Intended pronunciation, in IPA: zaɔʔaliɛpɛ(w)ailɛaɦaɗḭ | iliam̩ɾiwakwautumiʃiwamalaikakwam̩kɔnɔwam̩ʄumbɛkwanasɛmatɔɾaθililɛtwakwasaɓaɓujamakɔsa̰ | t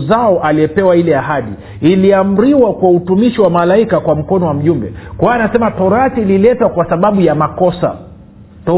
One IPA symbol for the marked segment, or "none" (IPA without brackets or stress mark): w